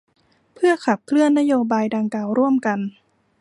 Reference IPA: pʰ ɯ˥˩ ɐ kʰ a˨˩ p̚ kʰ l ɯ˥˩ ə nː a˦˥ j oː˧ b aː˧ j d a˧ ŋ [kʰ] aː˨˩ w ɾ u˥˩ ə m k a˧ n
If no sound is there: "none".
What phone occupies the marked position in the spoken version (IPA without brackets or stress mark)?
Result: k